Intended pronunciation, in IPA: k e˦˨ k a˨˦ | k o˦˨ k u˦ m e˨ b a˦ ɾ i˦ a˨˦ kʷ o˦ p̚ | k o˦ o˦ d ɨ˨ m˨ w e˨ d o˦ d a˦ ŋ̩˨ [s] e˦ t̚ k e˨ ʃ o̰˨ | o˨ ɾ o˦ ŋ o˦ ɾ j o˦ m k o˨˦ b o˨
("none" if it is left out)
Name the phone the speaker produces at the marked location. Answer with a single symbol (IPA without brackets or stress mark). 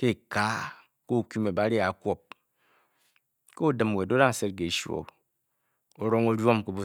s